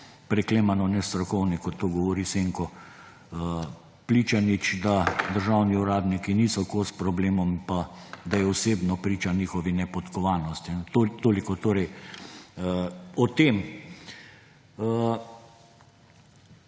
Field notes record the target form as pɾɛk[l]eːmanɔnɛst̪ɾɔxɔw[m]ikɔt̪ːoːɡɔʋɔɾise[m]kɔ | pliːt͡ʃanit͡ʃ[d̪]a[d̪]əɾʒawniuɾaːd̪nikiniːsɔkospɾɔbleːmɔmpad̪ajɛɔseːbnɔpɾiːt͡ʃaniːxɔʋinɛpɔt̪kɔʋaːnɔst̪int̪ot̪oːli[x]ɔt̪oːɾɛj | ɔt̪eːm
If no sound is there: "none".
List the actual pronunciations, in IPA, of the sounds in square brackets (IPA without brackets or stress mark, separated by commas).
l, n, ŋ, d̪, d̪, k